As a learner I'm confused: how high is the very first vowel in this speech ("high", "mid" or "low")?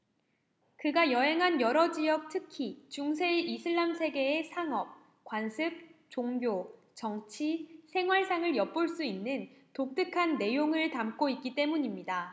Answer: high